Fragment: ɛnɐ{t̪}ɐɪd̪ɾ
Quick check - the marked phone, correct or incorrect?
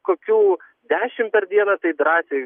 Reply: correct